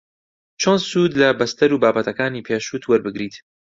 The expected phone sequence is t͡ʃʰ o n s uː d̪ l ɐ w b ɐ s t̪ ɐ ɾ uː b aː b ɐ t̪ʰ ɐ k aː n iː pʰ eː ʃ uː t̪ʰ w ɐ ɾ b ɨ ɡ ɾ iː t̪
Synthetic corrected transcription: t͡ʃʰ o n s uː d̪ l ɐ b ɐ s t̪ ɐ ɾ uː b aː b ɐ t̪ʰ ɐ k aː n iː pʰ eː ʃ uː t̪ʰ w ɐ ɾ b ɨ ɡ ɾ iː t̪